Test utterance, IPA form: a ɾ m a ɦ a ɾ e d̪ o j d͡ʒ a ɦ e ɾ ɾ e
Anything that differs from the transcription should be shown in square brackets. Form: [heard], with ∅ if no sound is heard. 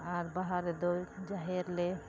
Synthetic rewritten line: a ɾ [b] a ɦ a ɾ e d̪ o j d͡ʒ a ɦ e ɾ [l] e